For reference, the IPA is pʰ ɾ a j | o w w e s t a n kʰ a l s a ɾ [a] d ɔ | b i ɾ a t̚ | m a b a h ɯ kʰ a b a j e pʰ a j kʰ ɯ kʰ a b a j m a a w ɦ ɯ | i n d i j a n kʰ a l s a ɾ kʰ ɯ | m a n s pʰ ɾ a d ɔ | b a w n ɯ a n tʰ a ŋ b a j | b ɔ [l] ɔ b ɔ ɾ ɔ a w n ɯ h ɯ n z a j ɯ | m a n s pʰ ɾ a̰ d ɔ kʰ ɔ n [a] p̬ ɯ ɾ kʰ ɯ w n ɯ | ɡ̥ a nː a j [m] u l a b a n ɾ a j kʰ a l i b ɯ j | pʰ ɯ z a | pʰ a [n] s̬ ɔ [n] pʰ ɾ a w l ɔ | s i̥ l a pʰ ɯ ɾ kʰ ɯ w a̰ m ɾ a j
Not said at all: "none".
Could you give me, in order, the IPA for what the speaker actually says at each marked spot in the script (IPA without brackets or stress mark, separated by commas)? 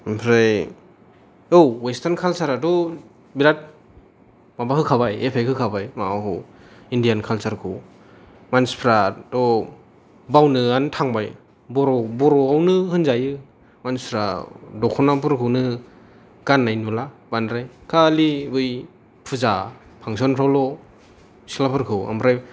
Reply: a, ɾ, a, n, ŋ, n